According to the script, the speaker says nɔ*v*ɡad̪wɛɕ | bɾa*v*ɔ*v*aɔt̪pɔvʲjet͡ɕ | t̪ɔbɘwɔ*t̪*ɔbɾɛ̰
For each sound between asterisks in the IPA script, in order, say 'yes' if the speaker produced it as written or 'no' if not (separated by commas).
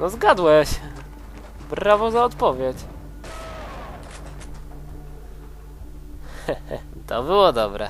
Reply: no, yes, no, no